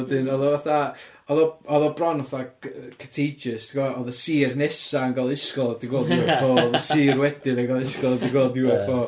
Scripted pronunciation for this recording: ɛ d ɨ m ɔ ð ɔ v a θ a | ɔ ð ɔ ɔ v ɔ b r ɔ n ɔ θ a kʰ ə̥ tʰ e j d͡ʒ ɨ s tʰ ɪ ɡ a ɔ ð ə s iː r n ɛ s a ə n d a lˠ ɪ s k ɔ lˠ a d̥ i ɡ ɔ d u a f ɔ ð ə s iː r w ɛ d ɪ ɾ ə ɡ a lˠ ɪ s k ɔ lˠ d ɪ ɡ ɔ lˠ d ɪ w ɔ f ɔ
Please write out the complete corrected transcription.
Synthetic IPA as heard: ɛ d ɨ n ɔ ð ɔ v a θ a | ɔ ð ɔ ɔ ð ɔ b r ɔ n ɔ θ a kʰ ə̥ tʰ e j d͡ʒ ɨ s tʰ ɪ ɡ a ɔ ð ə s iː r n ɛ s a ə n ɡ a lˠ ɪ s k ɔ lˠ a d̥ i ɡ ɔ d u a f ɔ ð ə s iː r w ɛ d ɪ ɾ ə ɡ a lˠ ɪ s k ɔ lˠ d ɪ ɡ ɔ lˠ d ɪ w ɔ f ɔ

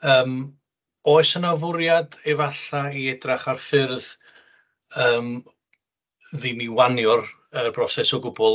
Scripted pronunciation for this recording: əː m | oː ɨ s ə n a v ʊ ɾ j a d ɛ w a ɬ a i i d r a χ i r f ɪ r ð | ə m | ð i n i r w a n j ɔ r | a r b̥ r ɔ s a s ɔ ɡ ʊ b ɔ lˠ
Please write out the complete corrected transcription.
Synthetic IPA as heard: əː m | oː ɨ s ə n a v ʊ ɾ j a d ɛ v a ɬ a i ɛ d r a χ a r f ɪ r ð | əː m | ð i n i w a n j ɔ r | ə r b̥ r ɔ s ɛ s ɔ ɡ ʊ b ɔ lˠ

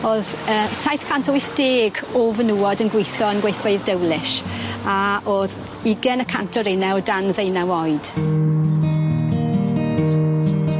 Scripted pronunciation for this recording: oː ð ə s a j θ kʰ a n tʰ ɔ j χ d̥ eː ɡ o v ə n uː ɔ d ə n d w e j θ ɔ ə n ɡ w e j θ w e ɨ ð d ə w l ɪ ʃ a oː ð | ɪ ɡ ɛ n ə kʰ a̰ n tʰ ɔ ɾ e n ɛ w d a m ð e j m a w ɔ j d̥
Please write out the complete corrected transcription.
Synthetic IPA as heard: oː ð ə s a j θ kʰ a n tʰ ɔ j θ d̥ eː ɡ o v ə n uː ɔ d ə n ɡ w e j θ ɔ ə n ɡ w e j θ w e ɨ ð d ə w l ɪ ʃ a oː ð | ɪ ɡ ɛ n ə kʰ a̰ n tʰ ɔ ɾ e n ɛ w d a n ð e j n a w ɔ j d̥

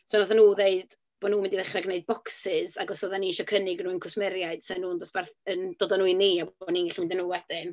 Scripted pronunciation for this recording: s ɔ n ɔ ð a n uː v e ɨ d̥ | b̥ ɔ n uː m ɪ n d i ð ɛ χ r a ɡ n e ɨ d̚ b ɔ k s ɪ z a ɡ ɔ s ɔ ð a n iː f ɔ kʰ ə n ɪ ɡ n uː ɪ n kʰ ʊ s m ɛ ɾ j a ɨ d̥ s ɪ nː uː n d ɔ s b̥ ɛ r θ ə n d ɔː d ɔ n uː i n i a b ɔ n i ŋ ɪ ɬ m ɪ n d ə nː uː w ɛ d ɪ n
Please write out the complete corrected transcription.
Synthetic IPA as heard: s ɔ n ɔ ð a n uː ð e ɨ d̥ | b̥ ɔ n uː m ɪ n d i ð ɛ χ r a ɡ n e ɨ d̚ b ɔ k s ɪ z a ɡ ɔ s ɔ ð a n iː ʃ ɔ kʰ ə n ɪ ɡ n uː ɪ n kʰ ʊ s m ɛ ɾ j a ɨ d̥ s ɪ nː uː n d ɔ s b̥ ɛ r θ ə n d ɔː d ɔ n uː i n i a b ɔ n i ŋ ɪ ɬ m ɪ n d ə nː uː w ɛ d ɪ n

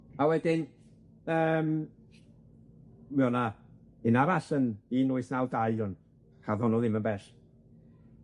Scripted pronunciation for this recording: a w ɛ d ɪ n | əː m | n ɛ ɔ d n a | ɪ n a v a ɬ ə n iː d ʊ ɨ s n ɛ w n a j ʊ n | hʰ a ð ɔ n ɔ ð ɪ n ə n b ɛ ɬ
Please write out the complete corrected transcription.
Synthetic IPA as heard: a w ɛ d ɪ n | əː m | m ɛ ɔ n a | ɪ n a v a ɬ ə n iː n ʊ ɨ s n a w d a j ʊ n | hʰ a ð ɔ n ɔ ð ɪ m ə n b ɛ ɬ

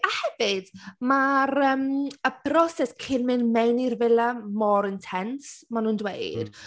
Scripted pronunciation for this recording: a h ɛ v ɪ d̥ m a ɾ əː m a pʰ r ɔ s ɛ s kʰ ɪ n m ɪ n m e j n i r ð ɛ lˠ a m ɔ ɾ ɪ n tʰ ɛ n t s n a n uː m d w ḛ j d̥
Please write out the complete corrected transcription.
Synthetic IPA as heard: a h ɛ v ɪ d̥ m a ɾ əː m ə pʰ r ɔ s ɛ s kʰ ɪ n m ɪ n m e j n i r v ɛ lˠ a m ɔ ɾ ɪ n tʰ ɛ n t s m a n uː n d w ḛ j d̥

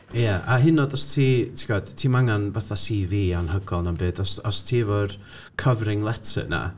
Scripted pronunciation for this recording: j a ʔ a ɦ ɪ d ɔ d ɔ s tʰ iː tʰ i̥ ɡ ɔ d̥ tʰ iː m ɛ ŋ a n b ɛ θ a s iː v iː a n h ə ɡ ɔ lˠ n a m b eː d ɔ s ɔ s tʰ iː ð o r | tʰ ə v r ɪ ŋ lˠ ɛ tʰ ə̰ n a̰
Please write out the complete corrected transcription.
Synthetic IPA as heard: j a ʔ a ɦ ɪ n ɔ d ɔ s tʰ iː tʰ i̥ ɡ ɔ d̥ tʰ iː m a ŋ a n b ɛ θ a s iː v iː a n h ə ɡ ɔ lˠ n a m b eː d ɔ s ɔ s tʰ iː v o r | kʰ ə v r ɪ ŋ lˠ ɛ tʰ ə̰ n a̰

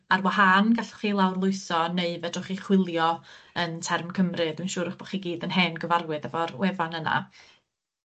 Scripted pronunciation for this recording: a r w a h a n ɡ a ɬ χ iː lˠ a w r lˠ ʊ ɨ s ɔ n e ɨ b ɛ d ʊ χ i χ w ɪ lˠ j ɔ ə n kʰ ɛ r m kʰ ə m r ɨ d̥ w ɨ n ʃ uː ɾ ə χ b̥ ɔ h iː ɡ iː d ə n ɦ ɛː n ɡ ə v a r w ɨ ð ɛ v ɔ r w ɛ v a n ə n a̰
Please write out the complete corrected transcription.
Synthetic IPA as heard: a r w a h a n ɡ a ɬ χ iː lˠ a w r lˠ ʊ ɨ s ɔ n e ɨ v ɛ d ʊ χ i χ w ɪ lˠ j ɔ ə n tʰ ɛ r m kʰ ə m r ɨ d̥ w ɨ n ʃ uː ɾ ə χ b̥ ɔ χ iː ɡ iː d ə n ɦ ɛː n ɡ ə v a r w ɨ ð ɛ v ɔ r w ɛ v a n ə n a̰

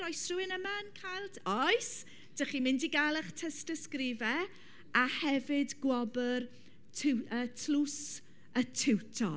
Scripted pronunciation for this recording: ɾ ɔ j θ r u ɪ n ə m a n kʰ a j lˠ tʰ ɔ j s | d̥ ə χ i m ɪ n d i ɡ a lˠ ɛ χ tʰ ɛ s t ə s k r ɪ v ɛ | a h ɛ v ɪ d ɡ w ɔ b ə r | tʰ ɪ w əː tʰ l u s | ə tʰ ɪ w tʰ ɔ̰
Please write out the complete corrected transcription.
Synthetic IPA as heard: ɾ ɔ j s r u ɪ n ə m a n kʰ a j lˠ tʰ ɔ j s | d̥ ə χ i m ɪ n d i ɡ a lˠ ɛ χ tʰ ɛ s t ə s k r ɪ v ɛ | a h ɛ v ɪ d ɡ w ɔ b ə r | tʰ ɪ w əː tʰ l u s | ə tʰ ɪ w tʰ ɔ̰

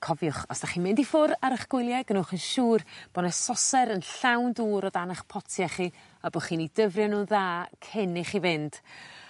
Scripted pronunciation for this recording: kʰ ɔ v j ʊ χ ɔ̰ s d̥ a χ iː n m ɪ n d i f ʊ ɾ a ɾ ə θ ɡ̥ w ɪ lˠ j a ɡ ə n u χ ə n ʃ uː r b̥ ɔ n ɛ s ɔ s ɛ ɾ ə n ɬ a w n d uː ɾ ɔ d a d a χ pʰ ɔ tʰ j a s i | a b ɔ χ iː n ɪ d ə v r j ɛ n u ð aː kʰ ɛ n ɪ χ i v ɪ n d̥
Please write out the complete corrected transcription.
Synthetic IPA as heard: kʰ ɔ v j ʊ χ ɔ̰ s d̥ a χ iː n m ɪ n d i f ʊ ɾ a ɾ ə χ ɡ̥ w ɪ lˠ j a ɡ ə n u χ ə n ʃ uː r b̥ ɔ n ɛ s ɔ s ɛ ɾ ə n ɬ a w n d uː ɾ ɔ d a n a χ pʰ ɔ tʰ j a χ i | a b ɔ χ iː n i d ə v r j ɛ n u ð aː kʰ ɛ n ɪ χ i v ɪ n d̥

